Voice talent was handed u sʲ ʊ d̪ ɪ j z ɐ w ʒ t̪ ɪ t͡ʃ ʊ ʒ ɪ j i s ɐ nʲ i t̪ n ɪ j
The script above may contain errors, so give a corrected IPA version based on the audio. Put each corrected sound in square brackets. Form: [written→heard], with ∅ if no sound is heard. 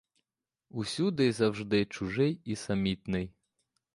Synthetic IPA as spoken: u sʲ [ʊ→u] d̪ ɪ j z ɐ w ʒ [t̪→d̪] ɪ t͡ʃ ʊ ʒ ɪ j i s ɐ [nʲ→mʲ] i t̪ n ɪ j